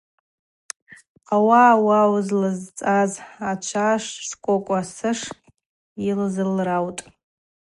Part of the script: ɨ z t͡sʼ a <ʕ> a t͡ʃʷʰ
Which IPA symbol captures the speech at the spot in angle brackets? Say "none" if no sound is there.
z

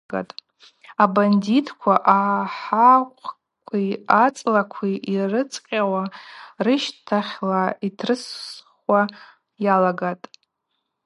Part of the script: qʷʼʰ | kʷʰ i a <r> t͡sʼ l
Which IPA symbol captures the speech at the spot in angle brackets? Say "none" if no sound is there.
none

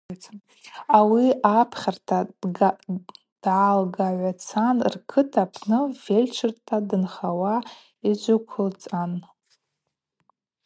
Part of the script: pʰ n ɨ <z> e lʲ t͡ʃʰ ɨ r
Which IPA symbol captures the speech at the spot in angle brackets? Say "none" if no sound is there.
v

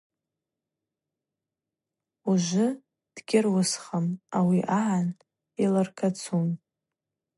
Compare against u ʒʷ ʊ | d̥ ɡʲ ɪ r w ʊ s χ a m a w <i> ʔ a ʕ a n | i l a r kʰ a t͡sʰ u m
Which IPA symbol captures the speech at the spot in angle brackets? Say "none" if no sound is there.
i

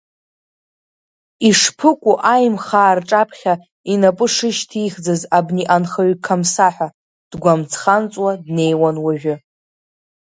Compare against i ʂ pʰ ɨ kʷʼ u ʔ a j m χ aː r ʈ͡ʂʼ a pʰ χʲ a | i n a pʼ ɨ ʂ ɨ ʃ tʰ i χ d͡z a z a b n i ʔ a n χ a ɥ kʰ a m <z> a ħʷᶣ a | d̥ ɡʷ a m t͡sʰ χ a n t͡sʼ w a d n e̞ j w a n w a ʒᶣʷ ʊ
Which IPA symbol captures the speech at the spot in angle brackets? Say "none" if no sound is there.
s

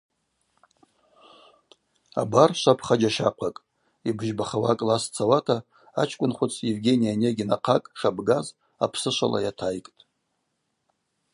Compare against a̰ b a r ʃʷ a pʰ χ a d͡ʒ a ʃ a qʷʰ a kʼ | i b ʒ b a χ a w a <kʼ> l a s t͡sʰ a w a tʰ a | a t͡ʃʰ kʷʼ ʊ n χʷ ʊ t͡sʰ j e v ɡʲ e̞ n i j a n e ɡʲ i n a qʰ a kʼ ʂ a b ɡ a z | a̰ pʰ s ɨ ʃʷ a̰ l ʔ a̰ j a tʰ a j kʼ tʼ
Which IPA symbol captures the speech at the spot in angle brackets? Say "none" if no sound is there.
kʼ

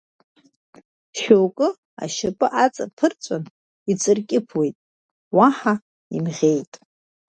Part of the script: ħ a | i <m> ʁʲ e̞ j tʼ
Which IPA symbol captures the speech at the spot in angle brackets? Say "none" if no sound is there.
m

